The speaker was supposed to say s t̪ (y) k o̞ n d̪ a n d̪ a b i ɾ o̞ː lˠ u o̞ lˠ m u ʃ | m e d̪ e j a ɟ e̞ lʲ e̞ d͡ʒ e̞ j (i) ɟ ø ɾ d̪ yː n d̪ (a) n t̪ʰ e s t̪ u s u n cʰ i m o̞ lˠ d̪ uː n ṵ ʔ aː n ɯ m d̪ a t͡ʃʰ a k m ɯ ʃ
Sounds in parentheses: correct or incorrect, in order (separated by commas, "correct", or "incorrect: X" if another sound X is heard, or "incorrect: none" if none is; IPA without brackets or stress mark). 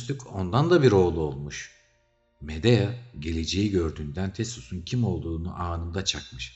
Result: correct, correct, incorrect: æ